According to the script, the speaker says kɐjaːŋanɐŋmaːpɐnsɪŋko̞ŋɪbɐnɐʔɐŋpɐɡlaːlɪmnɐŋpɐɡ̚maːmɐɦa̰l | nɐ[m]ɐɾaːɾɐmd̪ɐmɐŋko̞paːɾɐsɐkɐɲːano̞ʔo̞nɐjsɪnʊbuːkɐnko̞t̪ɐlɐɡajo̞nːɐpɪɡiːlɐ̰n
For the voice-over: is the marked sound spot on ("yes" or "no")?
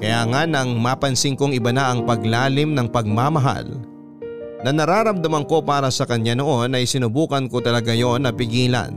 no